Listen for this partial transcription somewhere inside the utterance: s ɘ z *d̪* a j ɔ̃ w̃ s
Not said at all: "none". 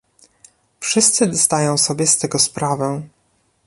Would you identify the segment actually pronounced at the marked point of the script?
d̪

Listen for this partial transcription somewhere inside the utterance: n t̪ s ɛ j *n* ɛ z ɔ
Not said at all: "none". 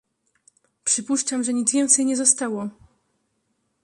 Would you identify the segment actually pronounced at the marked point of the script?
ɲ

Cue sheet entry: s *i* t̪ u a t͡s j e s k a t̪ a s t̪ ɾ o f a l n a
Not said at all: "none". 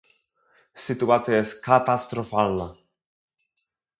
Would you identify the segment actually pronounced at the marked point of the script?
i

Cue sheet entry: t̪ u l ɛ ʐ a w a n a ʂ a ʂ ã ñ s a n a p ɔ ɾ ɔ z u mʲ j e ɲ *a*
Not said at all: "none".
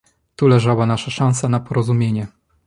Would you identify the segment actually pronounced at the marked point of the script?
ɛ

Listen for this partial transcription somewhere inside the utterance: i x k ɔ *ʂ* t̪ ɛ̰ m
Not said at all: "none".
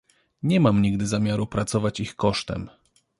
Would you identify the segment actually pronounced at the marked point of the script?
ʂ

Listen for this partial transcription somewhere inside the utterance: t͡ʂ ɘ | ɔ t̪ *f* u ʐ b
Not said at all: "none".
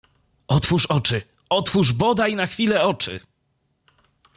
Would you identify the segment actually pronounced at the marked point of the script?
f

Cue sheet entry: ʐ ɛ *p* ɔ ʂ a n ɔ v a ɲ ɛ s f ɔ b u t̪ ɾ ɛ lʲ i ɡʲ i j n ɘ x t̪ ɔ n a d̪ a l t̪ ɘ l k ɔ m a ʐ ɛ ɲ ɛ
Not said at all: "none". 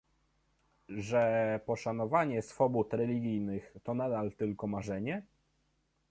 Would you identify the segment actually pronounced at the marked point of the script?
p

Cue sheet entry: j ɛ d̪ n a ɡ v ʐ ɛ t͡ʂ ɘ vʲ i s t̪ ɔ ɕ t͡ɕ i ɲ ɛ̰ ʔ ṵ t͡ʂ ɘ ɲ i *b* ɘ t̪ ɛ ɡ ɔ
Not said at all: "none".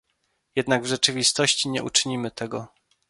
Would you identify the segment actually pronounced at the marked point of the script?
m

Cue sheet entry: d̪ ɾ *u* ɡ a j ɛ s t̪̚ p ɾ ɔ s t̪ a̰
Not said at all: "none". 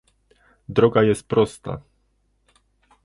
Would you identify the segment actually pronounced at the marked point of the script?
ɔ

